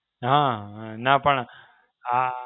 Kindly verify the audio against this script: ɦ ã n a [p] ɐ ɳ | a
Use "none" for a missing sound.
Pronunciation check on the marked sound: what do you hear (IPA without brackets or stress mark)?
p